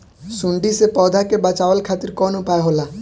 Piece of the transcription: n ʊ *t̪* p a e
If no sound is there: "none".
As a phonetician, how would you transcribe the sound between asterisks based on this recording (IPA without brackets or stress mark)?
none